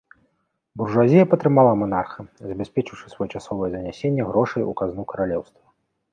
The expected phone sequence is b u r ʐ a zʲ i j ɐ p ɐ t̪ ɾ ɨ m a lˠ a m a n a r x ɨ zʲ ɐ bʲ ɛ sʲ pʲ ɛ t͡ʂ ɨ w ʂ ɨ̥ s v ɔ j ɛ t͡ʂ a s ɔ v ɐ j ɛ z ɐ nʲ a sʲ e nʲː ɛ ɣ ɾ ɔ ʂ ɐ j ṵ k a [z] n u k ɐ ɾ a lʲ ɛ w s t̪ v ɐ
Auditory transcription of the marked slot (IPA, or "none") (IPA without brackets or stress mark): z